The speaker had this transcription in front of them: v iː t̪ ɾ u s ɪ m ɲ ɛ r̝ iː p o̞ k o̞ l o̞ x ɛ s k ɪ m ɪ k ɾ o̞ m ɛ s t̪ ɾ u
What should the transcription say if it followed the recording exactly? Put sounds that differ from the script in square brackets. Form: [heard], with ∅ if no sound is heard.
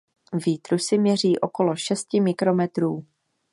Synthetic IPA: v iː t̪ ɾ u s ɪ m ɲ ɛ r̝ iː [ʔ] o̞ k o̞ l o̞ [ʃ] ɛ s [c] ɪ m ɪ k ɾ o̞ m ɛ [∅] t̪ ɾ [uː]